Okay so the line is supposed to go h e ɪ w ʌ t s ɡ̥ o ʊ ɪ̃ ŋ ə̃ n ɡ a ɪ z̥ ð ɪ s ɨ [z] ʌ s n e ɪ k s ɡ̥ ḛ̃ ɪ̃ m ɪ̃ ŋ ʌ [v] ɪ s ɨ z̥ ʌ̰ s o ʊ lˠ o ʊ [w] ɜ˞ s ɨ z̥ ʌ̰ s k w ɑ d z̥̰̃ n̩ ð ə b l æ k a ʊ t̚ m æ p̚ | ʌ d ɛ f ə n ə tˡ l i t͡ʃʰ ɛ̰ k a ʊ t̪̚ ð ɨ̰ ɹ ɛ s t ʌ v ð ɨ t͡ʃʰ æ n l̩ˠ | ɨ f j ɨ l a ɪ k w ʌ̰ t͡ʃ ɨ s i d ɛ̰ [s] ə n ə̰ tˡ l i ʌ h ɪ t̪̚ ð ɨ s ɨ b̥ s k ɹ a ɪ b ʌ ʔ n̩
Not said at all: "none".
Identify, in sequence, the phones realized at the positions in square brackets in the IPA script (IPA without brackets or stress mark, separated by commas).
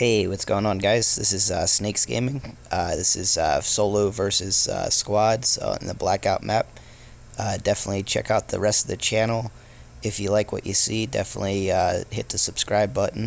z, ð, v, f